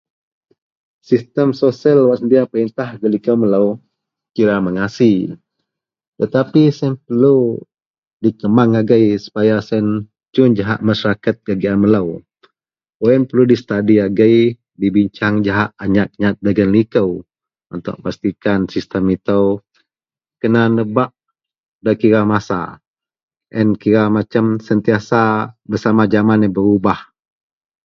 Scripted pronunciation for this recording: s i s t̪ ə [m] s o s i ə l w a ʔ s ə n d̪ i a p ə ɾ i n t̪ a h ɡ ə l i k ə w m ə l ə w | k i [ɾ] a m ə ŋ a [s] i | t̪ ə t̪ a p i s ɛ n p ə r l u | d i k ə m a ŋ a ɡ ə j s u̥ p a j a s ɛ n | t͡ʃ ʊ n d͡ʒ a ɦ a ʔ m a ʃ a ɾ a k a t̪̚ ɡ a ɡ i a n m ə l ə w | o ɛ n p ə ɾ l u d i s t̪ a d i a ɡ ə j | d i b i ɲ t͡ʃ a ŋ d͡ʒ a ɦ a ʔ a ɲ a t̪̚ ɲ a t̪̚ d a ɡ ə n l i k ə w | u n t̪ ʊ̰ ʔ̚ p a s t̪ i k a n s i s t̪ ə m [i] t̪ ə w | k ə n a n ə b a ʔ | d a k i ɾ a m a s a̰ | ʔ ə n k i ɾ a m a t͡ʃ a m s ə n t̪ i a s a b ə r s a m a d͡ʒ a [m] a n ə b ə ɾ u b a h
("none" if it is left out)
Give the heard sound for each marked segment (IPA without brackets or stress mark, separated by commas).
m, ɾ, s, i, m